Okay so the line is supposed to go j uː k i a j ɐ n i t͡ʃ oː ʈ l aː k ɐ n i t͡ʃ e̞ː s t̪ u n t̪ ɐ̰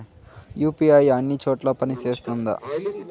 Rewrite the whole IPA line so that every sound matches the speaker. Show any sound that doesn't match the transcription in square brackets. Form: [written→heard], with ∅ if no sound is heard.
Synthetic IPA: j uː [k→p] i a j ɐ [n→nː] i t͡ʃ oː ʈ l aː [k→p] ɐ n i t͡ʃ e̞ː s t̪ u n [t̪→d̪] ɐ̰

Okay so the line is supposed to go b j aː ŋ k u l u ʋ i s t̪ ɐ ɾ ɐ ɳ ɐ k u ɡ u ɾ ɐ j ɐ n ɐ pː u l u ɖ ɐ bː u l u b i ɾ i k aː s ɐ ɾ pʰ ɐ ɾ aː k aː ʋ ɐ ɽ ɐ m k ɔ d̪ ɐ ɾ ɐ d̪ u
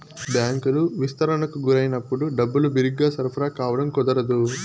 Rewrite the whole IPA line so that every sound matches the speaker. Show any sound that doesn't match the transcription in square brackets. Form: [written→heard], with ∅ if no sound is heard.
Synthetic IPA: b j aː ŋ k u l u ʋ i s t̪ ɐ ɾ ɐ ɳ ɐ k u ɡ u ɾ ɐ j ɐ n ɐ pː u [l→ɽ] u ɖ ɐ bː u l u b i ɾ i [k→ɡ] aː s ɐ ɾ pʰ ɐ ɾ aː k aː ʋ ɐ ɽ ɐ m k ɔ d̪ ɐ ɾ ɐ d̪ u

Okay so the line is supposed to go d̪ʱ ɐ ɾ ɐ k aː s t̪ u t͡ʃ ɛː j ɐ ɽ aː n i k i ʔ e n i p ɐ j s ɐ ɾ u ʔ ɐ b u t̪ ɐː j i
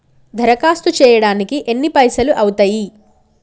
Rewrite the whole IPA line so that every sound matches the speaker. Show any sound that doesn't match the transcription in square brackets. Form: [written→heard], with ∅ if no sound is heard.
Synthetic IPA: d̪ʱ ɐ ɾ ɐ k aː s t̪ u t͡ʃ ɛː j ɐ ɽ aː n i k i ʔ e [n→nː] i p ɐ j s ɐ [ɾ→l] u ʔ ɐ [b→w] u t̪ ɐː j i

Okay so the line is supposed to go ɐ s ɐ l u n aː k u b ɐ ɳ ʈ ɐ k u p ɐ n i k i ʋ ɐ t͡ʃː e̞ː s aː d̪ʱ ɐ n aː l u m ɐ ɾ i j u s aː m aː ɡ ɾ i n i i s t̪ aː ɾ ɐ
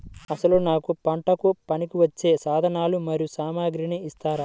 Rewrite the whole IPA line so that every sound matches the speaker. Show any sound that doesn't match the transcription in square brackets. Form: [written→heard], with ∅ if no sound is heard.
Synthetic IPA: ɐ s ɐ l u n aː k u [b→p] ɐ ɳ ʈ ɐ k u p ɐ n i k i ʋ ɐ t͡ʃː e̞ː s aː d̪ʱ ɐ n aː l u m ɐ ɾ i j u s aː m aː ɡ ɾ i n i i s t̪ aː ɾ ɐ

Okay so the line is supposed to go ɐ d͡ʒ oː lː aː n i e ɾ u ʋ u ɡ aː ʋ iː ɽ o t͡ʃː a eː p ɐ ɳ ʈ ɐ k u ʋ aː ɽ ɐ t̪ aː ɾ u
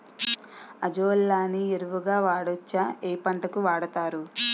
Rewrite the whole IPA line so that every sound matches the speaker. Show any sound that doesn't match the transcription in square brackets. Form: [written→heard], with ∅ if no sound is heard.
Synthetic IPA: ɐ d͡ʒ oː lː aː n i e ɾ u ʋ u ɡ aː ʋ [iː→aː] ɽ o t͡ʃː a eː p ɐ ɳ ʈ ɐ k u ʋ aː ɽ ɐ t̪ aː ɾ u

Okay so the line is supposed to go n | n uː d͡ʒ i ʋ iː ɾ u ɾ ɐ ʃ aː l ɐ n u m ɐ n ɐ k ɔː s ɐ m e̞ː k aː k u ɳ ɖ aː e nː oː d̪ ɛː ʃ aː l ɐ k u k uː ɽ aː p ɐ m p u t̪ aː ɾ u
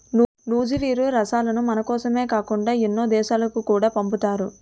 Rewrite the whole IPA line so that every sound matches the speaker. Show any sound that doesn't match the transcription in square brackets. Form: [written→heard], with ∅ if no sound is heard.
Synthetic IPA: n | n uː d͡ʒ i ʋ iː ɾ u ɾ ɐ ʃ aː l ɐ n u m ɐ n ɐ k ɔː s ɐ m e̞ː k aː k u ɳ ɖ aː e nː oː d̪ ɛː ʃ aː l ɐ k u k uː ɽ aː p ɐ m p u t̪ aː ɾ u

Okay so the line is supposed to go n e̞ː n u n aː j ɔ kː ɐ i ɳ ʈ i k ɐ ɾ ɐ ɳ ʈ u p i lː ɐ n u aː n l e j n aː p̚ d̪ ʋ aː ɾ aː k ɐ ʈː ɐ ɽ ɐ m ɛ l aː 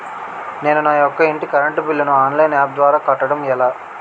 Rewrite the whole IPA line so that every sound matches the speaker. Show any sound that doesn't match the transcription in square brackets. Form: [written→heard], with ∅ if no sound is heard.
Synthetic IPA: n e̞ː n u n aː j ɔ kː ɐ i ɳ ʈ i k ɐ ɾ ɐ ɳ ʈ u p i lː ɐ n u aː n l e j n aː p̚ d̪ ʋ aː ɾ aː k ɐ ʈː ɐ ɽ ɐ m ɛ l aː

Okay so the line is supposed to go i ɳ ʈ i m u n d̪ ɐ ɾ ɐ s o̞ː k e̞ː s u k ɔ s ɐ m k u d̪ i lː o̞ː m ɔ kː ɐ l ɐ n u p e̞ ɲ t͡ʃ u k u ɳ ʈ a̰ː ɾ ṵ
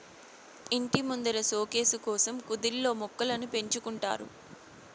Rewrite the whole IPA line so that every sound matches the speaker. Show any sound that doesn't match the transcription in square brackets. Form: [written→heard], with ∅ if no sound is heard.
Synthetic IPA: i ɳ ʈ i m u n d̪ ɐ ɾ ɐ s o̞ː k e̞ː s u k [ɔ→ɔː] s ɐ m k u d̪ i lː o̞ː m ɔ kː ɐ l ɐ n u p e̞ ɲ t͡ʃ u k u ɳ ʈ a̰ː ɾ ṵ

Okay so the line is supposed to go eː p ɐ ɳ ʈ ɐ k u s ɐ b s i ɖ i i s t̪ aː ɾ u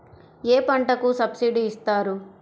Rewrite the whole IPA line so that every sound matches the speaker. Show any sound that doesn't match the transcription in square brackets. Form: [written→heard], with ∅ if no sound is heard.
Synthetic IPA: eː p ɐ ɳ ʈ ɐ k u s ɐ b s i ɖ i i s t̪ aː ɾ u

